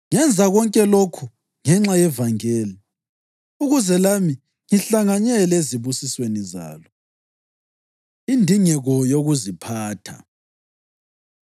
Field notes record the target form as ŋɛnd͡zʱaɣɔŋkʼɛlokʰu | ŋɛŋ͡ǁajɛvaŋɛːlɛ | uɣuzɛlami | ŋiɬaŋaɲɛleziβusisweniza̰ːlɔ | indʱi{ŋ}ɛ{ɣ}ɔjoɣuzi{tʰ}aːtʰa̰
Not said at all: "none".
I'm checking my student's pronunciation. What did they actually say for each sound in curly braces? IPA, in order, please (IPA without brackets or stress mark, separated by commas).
ŋ, ɣ, pʰ